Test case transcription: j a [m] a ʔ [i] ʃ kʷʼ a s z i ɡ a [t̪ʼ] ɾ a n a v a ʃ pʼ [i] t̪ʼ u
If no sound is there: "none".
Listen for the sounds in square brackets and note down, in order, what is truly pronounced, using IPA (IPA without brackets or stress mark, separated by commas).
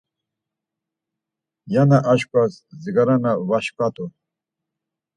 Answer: n, a, none, a